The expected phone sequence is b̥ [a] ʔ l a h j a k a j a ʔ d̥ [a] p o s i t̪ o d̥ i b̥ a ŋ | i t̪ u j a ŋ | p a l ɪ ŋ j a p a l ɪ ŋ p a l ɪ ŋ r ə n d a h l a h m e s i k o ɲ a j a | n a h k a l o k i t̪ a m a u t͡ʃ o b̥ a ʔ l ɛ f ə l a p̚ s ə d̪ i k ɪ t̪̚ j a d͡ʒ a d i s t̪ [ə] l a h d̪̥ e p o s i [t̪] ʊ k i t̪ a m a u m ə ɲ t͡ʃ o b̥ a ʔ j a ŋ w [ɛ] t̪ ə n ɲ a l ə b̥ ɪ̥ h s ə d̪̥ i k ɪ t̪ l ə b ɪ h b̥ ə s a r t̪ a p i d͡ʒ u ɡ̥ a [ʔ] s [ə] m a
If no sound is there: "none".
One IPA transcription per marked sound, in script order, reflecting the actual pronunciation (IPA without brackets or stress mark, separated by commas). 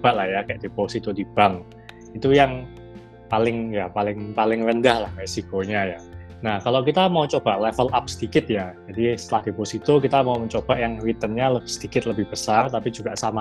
a, e, ə, t̪, i, ʔ, a